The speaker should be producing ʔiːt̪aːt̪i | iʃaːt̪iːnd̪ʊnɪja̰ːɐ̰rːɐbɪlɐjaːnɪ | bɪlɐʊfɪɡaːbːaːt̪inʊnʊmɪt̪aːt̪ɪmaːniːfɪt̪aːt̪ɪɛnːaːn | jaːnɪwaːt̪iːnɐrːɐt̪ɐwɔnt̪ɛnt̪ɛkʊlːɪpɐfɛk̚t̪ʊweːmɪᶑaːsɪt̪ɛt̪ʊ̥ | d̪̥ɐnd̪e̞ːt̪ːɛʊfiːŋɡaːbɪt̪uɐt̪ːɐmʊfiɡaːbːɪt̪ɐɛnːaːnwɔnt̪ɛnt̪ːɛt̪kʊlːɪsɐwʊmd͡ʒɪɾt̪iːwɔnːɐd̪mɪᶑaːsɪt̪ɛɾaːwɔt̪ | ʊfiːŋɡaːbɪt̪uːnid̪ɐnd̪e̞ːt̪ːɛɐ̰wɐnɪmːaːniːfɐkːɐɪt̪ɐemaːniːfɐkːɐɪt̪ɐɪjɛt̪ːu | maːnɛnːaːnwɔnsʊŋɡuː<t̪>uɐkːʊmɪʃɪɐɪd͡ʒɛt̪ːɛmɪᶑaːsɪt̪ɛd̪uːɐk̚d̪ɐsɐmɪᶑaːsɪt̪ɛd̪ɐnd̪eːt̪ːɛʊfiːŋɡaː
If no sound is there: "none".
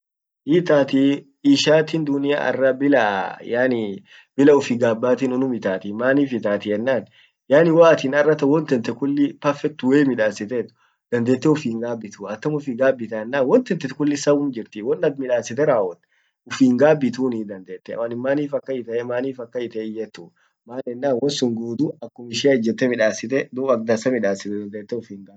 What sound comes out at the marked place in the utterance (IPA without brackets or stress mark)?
d̪